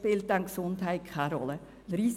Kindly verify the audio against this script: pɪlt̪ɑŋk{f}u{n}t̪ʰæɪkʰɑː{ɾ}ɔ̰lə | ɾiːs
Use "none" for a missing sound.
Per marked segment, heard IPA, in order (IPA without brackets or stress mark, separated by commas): s, n, ɾ